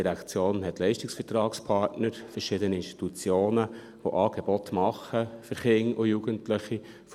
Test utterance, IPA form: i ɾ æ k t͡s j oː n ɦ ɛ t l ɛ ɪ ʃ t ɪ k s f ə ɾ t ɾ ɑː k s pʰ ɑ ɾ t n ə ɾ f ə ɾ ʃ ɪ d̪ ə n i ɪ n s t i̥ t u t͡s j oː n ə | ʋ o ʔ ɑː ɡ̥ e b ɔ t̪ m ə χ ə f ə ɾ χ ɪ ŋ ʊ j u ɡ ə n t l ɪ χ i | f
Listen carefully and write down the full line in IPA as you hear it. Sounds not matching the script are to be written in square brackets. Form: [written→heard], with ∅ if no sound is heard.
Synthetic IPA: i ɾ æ k t͡s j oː n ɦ ɛ t l ɛ ɪ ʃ t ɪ k s f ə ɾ t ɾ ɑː k s pʰ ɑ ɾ t n ə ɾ f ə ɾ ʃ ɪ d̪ ə n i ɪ n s t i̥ t u t͡s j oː n ə | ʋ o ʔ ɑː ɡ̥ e b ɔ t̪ m [ə→ɑ] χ ə f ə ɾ χ ɪ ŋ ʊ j u ɡ ə n t l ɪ χ i | f